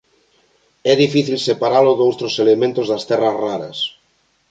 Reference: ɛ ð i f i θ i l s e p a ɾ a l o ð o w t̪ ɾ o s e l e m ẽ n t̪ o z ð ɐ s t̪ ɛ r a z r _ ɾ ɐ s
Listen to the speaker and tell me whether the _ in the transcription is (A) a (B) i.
A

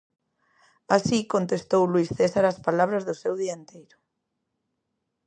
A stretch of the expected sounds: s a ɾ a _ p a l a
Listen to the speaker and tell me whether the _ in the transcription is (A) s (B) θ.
A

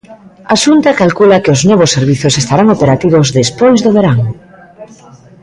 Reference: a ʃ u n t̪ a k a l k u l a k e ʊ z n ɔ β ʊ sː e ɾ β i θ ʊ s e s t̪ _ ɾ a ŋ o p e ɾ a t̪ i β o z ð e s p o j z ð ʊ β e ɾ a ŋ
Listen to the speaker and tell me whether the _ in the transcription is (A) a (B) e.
A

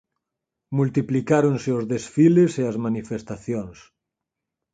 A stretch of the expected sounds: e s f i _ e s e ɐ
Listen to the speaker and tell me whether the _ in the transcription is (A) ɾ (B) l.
B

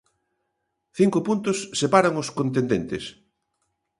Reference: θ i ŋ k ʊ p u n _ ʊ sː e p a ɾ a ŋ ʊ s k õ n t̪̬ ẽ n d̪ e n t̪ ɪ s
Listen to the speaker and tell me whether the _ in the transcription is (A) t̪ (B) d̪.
A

